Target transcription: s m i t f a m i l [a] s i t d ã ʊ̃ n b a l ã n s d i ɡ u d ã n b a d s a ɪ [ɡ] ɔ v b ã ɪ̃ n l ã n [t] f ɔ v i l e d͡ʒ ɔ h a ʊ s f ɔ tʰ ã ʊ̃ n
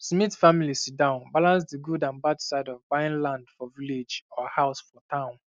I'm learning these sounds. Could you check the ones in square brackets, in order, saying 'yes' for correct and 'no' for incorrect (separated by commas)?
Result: no, no, no